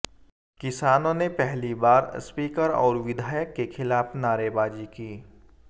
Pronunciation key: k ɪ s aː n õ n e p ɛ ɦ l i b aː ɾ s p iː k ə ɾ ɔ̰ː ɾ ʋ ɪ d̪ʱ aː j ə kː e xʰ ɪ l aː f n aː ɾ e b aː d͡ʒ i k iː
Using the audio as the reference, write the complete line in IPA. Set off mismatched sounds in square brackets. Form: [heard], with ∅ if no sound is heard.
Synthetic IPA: k ɪ s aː n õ n e p ɛ ɦ l i b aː ɾ s p iː k ə ɾ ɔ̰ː ɾ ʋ ɪ d̪ʱ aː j ə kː e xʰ ɪ l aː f n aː ɾ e b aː d͡ʒ i k iː